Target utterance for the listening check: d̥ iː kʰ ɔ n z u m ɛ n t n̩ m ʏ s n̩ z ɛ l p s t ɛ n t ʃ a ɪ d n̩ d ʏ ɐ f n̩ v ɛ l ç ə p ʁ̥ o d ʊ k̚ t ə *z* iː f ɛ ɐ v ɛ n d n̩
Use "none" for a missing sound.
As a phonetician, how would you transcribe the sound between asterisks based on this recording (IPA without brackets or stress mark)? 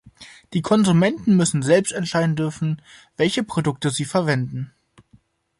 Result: z